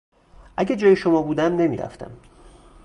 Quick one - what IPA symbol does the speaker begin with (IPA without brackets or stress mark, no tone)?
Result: ʔ